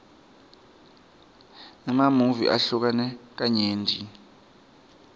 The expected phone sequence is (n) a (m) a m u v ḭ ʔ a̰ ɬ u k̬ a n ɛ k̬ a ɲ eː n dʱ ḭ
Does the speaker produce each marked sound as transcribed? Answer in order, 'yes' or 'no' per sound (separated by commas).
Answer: yes, yes